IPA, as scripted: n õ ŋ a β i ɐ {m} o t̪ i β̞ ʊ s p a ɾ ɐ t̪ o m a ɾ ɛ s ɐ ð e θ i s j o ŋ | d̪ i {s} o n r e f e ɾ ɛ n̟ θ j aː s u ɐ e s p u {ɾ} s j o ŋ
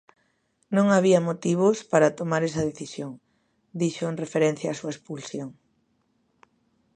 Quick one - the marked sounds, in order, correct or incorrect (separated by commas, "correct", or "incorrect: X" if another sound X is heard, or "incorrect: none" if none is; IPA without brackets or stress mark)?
correct, incorrect: ʃ, incorrect: l